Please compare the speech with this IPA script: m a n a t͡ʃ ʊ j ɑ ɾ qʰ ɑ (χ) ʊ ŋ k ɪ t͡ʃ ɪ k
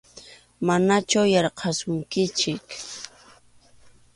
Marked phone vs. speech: incorrect: s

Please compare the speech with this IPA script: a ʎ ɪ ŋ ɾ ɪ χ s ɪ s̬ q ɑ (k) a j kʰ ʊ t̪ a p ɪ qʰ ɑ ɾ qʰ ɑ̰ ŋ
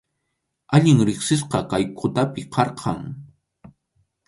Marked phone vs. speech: correct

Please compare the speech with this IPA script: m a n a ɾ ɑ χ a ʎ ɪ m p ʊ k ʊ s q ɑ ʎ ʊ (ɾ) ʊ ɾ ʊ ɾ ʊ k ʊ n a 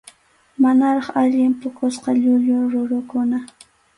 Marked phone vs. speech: incorrect: ʎ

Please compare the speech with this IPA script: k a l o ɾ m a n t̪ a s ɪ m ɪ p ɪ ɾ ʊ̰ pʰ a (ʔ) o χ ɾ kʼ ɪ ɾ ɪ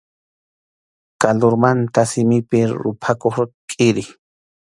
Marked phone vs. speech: incorrect: k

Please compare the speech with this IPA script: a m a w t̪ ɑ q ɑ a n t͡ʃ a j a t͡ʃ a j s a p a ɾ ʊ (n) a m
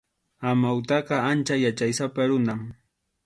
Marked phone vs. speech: correct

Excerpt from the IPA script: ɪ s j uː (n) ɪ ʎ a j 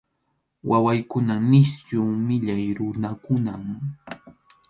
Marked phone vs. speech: incorrect: m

